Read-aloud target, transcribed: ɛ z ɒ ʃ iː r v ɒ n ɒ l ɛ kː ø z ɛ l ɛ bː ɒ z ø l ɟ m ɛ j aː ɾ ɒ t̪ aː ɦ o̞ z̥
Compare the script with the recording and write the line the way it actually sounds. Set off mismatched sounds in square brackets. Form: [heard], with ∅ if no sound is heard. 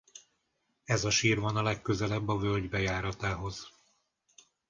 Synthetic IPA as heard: ɛ z ɒ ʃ iː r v ɒ n ɒ l ɛ kː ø z ɛ l ɛ bː ɒ [v] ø l ɟ [b] ɛ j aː ɾ ɒ t̪ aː ɦ o̞ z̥